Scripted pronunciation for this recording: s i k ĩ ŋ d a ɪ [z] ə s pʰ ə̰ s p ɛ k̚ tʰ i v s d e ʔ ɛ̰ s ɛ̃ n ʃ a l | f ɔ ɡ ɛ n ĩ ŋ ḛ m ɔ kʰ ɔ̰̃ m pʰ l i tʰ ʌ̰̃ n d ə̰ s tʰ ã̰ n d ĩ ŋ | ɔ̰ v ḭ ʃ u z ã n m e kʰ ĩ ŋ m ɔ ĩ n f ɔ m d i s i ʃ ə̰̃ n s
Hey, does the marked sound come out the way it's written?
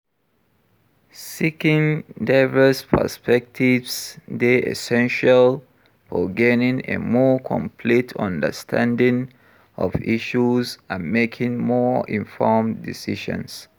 no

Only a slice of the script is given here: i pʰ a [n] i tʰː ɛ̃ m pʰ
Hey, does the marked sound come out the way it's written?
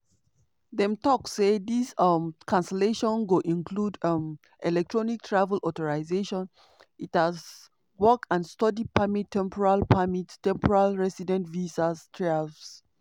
no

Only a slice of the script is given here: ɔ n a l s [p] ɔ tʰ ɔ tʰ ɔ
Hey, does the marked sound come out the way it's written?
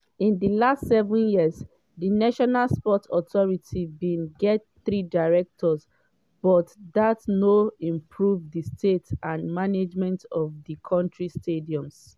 yes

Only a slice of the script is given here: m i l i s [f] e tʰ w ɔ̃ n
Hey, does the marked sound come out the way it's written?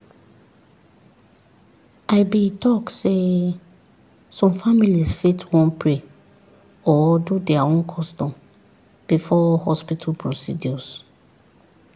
yes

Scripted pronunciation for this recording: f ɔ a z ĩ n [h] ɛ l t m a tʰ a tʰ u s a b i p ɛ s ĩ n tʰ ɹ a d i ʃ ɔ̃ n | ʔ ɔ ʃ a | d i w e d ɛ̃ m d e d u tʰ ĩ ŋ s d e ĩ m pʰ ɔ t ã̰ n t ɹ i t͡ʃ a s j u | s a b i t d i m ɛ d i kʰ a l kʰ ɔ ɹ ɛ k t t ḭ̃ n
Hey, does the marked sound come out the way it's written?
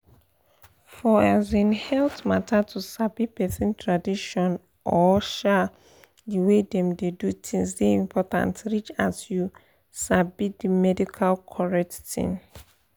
yes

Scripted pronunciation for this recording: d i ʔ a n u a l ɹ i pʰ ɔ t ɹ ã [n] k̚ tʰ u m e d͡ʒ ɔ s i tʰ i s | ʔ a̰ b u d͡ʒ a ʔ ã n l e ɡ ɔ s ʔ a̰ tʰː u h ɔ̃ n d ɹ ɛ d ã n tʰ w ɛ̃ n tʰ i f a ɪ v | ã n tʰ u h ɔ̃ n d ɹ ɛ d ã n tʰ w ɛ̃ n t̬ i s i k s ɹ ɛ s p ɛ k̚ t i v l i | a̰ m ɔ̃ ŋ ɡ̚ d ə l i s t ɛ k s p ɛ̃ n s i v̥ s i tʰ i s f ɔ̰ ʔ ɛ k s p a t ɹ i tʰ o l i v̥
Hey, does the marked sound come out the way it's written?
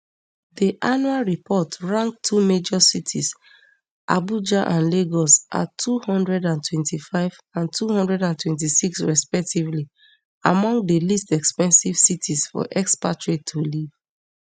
no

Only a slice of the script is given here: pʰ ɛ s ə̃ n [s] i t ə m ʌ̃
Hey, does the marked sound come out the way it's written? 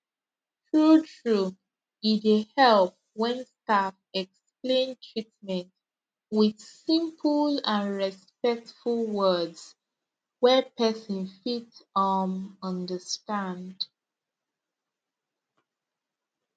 no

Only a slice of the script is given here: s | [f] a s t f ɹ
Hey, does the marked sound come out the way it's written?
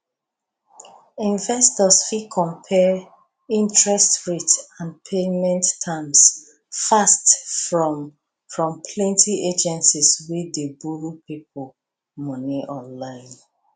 yes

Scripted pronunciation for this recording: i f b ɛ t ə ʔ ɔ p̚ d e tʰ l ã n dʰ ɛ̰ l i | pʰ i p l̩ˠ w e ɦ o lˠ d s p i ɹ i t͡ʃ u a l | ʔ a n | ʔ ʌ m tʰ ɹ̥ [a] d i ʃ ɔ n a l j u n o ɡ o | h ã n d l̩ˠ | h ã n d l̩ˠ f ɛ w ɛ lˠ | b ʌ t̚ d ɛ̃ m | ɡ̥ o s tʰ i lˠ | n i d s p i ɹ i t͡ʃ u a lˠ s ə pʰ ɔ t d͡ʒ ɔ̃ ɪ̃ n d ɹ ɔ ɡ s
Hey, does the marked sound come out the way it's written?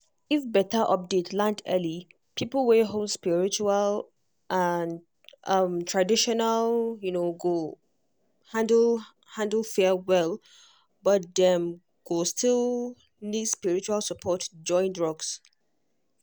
yes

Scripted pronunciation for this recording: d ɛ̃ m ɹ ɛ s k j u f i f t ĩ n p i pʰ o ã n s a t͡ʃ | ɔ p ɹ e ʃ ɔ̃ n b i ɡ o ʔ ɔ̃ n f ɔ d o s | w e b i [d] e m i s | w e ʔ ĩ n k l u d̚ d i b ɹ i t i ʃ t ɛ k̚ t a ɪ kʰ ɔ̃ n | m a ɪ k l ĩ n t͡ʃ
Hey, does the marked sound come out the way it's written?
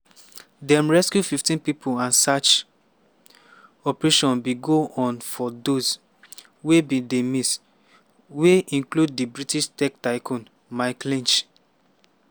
yes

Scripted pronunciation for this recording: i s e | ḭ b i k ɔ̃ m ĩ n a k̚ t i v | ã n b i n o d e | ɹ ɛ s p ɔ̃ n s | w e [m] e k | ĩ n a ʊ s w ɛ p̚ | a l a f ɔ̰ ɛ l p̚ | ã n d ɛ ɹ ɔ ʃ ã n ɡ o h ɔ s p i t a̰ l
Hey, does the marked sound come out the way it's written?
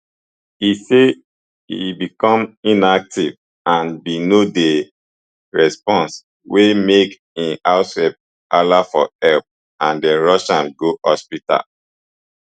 yes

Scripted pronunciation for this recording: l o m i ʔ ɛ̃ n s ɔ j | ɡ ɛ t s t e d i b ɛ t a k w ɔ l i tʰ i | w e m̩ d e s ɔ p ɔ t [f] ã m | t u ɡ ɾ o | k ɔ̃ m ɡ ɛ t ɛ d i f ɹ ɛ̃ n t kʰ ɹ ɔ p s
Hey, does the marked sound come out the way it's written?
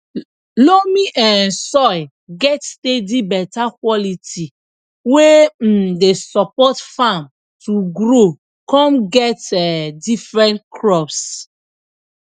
yes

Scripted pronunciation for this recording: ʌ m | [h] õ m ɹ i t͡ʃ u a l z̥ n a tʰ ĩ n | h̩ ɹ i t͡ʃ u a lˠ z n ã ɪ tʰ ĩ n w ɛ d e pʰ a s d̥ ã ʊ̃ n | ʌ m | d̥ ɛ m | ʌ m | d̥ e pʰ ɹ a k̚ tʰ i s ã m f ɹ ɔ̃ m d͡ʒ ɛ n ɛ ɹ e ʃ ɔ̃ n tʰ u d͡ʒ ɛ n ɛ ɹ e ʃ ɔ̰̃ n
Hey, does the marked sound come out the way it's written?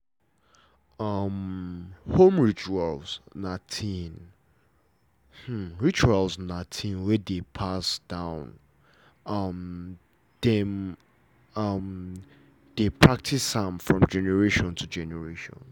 yes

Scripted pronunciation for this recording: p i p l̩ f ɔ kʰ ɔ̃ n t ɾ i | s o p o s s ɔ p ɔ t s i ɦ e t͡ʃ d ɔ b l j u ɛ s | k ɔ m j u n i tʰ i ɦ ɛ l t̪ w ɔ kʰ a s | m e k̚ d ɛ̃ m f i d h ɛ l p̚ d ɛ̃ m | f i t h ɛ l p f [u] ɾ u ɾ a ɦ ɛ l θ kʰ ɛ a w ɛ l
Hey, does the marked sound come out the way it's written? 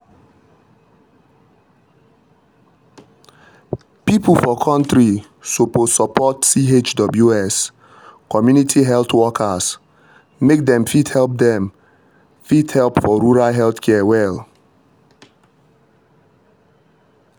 no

